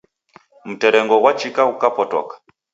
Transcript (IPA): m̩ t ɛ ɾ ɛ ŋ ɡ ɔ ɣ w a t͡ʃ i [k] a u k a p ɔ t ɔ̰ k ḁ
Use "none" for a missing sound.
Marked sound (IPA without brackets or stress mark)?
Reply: k